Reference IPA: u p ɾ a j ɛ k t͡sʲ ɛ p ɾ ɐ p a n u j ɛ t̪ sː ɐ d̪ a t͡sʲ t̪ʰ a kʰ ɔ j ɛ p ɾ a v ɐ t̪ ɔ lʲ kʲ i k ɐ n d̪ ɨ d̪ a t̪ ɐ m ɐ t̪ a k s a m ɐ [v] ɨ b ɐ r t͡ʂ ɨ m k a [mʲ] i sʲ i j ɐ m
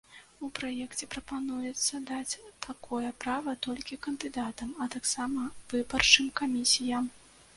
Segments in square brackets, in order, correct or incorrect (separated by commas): correct, correct